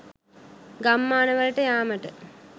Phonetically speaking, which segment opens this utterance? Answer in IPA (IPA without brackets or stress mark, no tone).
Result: ɡ